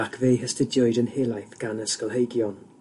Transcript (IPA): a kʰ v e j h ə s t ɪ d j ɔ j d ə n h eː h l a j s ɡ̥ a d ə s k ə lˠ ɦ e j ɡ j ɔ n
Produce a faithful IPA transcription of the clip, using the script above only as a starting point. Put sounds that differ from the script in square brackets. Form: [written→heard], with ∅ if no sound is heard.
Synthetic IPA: a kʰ v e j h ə s t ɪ d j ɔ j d ə n h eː [h→∅] l a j [s→θ] ɡ̥ a [d→n] ə s k ə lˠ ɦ e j ɡ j ɔ n